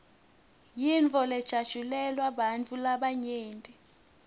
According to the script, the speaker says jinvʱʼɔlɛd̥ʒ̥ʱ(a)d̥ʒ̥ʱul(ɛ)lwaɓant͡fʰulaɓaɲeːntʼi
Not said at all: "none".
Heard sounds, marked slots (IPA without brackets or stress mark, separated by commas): a, ɛ